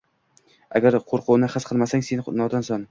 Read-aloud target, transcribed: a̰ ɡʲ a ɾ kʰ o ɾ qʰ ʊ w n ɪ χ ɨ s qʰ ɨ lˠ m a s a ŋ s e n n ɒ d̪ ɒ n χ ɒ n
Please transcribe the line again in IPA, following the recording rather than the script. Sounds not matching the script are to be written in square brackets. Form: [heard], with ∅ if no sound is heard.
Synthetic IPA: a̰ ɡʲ a ɾ [qʰ] o ɾ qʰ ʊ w n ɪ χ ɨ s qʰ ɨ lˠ m a s a ŋ s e n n ɒ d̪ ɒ n [s] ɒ n